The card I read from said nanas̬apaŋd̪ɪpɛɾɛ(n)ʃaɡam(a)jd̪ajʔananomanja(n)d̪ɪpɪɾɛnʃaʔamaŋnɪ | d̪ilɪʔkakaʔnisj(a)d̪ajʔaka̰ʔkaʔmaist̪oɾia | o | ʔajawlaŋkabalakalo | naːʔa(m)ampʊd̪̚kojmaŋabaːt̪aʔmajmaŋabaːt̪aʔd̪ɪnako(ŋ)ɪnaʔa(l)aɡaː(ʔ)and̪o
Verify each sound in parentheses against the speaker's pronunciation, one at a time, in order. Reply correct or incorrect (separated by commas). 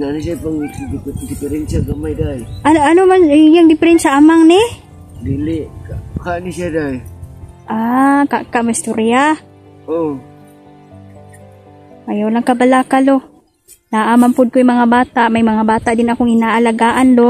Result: correct, correct, incorrect, correct, correct, correct, correct, correct